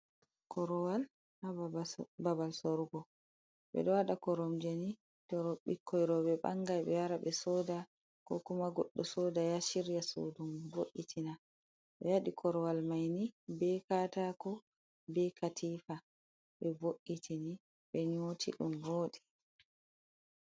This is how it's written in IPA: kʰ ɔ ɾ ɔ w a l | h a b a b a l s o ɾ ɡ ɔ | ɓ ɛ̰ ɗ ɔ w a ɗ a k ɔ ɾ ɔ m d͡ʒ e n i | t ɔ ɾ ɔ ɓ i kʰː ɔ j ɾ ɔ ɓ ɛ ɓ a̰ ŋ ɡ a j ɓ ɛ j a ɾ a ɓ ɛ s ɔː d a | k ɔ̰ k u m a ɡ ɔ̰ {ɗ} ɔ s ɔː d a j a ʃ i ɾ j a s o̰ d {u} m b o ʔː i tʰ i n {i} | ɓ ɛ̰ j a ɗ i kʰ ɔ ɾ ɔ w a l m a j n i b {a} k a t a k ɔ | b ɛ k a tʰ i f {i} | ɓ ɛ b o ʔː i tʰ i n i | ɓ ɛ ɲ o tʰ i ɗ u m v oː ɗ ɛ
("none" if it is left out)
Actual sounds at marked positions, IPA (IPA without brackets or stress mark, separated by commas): ɗː, u, a, ɛ, a